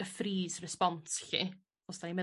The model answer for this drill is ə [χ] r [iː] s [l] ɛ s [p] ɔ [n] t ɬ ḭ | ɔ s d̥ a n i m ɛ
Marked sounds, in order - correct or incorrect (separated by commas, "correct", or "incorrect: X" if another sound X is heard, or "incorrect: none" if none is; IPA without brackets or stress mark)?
incorrect: f, correct, incorrect: r, correct, correct